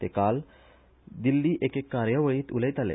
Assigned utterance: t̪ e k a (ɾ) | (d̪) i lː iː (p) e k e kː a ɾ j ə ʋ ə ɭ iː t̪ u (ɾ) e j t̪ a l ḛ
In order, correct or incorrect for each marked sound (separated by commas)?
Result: incorrect, correct, incorrect, incorrect